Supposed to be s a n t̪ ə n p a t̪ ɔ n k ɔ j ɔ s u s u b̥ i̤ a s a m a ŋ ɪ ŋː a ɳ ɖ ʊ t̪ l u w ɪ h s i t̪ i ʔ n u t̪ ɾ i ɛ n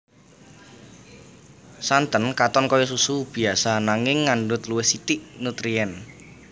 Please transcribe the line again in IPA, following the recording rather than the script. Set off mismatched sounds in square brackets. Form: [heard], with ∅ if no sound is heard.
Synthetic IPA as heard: s a n t̪ ə n [k] a t̪ ɔ n k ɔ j ɔ s u s u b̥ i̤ a s a [n] a ŋ ɪ ŋː a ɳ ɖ ʊ t̪ l u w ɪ h s i t̪ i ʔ n u t̪ ɾ i ɛ n